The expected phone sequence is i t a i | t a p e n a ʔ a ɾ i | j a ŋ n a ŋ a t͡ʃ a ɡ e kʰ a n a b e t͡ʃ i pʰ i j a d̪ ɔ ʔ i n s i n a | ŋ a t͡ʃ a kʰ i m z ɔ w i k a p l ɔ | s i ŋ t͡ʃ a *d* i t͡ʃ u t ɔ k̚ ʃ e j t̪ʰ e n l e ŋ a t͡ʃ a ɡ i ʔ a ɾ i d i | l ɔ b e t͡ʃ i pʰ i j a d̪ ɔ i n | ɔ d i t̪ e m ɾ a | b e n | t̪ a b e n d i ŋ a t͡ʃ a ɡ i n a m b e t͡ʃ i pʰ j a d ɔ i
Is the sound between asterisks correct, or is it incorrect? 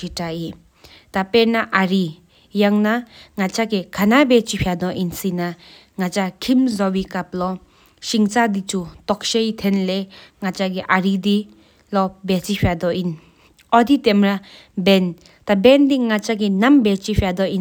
correct